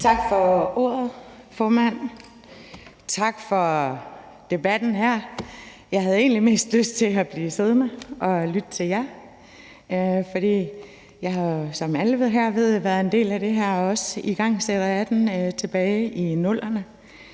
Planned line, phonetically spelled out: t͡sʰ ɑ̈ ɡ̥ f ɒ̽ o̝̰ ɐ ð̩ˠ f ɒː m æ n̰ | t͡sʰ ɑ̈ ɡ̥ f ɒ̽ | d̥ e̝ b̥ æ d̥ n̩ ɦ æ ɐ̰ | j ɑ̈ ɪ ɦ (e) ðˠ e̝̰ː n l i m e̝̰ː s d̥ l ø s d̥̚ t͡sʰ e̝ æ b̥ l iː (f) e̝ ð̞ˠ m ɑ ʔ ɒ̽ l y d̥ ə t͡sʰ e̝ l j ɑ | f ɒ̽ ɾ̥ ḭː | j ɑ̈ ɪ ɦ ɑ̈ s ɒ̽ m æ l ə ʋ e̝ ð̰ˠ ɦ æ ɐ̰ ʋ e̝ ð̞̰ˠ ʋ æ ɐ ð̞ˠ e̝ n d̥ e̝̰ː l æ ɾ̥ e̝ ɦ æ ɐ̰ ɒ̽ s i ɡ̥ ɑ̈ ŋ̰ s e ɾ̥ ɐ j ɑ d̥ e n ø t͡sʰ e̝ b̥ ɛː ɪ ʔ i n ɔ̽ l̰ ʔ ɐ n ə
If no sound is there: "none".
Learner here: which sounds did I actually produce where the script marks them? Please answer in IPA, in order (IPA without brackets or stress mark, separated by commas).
æ, s